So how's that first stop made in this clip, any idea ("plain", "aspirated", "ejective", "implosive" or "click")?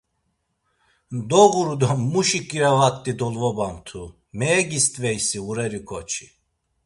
plain